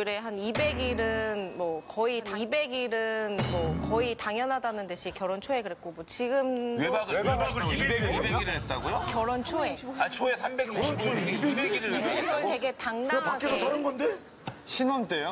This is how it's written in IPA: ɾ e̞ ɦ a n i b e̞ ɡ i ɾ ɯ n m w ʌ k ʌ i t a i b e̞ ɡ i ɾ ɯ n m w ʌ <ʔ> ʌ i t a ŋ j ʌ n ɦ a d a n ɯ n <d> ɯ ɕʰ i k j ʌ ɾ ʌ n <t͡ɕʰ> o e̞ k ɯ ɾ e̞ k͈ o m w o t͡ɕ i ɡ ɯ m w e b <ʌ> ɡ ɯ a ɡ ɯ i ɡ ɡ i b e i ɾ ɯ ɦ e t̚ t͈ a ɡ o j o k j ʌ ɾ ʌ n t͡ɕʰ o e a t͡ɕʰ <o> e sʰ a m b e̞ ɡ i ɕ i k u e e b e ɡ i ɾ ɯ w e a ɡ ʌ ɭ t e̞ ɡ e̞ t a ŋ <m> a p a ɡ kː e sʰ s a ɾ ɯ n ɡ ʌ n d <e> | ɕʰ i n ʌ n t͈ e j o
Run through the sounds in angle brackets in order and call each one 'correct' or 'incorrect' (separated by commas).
incorrect, correct, correct, incorrect, correct, incorrect, correct